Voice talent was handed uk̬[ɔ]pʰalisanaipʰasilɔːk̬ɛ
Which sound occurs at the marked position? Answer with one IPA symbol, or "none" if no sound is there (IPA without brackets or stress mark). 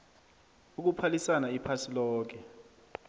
u